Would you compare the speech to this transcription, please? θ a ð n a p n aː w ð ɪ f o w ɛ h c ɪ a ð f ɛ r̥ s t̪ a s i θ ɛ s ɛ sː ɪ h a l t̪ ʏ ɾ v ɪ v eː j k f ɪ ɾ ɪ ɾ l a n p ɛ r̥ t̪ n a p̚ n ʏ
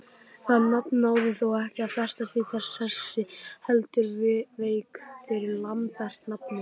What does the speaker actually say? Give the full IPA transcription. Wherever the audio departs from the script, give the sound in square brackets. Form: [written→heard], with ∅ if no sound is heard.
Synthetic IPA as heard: θ a ð n a p n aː w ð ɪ [f→θ] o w ɛ h c ɪ a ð f ɛ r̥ s t̪ a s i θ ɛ s ɛ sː ɪ h [a→ɛ] l t̪ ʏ ɾ v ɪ v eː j k f ɪ ɾ ɪ ɾ l a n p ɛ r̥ t̪ n a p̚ n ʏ